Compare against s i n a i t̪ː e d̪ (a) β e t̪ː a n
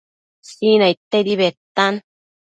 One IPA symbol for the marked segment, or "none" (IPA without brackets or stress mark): i